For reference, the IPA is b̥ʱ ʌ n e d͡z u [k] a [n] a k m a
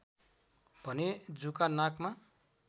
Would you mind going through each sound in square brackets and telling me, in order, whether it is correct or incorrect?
correct, correct

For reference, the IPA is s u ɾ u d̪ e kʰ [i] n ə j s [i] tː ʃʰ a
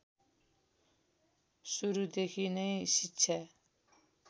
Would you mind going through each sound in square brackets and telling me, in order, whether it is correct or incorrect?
correct, correct

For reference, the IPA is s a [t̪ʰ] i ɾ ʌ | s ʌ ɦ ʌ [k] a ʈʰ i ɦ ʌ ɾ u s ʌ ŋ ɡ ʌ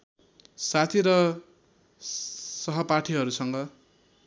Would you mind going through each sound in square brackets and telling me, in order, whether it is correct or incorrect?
correct, incorrect: p

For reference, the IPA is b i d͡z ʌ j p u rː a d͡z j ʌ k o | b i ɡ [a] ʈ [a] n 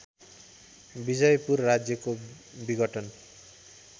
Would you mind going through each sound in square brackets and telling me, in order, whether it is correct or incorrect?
incorrect: ʌ, incorrect: ʌ

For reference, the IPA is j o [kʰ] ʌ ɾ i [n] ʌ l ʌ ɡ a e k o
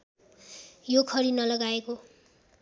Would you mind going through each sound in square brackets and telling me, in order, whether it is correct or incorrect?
correct, correct

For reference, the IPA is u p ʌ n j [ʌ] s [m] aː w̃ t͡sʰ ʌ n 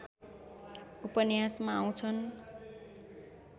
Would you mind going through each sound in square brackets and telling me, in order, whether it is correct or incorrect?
incorrect: a, correct

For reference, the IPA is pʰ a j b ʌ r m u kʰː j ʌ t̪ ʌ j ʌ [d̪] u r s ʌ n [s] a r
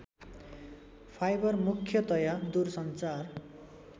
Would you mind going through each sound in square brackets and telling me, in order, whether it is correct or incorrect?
correct, incorrect: t͡s

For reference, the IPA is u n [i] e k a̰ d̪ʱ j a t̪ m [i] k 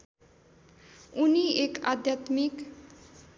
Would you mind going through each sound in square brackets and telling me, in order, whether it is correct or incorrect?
correct, correct

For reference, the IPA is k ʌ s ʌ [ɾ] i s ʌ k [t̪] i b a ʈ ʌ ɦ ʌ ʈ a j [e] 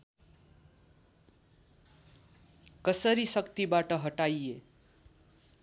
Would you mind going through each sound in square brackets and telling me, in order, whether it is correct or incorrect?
correct, correct, correct

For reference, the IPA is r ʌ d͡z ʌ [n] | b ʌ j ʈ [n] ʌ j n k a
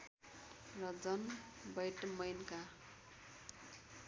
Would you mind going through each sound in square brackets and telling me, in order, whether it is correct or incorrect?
correct, incorrect: m

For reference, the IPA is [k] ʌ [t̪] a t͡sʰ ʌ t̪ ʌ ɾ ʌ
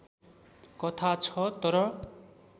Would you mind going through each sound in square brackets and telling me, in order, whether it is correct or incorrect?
correct, incorrect: t̪ʰ

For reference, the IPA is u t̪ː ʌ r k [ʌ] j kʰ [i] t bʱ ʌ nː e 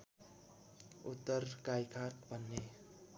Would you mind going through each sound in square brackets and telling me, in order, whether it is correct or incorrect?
incorrect: a, incorrect: a

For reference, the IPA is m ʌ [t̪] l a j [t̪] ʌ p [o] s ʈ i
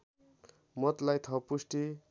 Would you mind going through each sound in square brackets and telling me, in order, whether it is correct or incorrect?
correct, incorrect: t̪ʰ, incorrect: u

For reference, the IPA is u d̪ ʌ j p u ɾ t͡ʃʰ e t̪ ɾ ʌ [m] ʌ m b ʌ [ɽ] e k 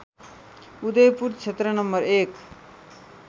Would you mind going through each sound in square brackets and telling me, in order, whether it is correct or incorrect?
incorrect: n, incorrect: ɾ

